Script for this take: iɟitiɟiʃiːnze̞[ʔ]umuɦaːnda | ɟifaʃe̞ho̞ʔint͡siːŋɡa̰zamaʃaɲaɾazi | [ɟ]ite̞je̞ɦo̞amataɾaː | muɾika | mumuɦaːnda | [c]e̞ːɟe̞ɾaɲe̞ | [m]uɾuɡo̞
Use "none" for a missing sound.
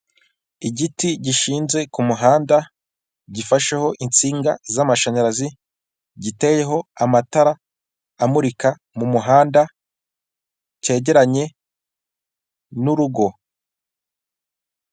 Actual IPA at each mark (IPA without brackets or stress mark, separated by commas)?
k, ɟ, c, n